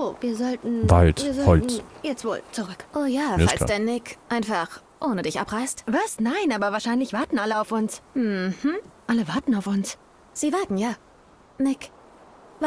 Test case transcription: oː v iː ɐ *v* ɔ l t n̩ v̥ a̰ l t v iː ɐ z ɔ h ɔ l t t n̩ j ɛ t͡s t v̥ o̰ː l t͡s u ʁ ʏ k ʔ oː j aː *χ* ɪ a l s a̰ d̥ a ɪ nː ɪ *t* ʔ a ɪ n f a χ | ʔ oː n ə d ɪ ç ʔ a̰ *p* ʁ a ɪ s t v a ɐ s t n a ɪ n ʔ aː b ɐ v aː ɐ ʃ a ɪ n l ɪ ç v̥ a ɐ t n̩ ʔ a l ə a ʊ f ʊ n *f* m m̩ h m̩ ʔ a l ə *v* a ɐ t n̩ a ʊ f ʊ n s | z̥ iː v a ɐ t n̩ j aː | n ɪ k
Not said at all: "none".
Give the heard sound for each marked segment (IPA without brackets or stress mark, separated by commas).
z, f, k, p, s, v